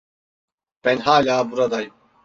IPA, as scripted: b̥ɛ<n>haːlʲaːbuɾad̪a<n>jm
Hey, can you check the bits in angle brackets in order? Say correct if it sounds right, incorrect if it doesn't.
correct, incorrect: none

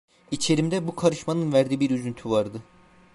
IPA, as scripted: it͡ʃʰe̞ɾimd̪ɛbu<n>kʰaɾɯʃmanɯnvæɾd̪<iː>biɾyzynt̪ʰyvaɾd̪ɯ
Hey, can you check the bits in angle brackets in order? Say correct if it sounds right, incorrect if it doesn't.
incorrect: none, correct

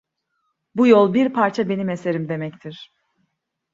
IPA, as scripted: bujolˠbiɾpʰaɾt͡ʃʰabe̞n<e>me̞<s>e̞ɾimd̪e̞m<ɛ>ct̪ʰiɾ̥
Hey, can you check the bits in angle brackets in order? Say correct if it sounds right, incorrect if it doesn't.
incorrect: i, correct, correct

